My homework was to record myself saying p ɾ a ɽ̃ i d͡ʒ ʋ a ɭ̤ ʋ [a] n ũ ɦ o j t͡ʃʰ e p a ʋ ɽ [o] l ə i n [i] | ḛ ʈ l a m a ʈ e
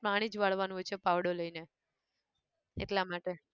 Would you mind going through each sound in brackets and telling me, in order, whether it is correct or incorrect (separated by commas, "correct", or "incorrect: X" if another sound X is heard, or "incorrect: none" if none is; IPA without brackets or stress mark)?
correct, correct, incorrect: e